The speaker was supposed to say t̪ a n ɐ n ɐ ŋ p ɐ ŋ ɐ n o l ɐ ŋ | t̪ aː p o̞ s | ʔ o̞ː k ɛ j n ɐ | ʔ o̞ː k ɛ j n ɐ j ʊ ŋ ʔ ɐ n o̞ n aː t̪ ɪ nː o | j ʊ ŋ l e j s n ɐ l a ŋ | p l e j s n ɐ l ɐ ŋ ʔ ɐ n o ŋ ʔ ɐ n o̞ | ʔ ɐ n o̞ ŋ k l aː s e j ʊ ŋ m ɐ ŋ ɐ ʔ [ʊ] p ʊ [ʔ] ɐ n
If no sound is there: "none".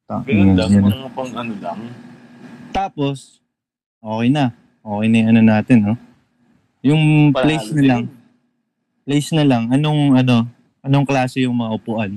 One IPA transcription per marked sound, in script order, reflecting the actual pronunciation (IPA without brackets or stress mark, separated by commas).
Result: ʊ, ʔ